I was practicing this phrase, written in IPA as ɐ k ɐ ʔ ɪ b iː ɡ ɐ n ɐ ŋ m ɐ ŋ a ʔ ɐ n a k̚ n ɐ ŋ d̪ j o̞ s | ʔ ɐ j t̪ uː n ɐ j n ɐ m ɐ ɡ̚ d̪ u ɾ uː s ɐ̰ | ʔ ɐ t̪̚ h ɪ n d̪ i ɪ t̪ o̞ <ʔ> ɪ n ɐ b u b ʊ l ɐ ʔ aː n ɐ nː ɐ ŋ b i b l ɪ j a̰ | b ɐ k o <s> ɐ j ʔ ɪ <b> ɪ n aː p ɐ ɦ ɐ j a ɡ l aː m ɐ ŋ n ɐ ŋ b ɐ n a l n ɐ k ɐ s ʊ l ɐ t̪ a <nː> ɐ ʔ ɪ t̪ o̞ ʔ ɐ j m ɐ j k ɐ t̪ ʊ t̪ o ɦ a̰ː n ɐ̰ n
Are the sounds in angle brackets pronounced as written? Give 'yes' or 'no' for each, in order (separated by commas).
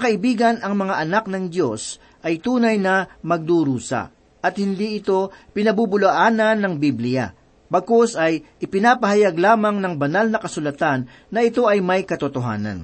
no, yes, no, yes